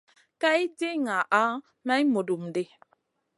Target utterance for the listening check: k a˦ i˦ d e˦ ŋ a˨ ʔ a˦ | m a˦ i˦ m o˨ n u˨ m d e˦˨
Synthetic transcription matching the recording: k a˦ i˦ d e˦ ŋ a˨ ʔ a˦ | m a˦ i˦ m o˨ d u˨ m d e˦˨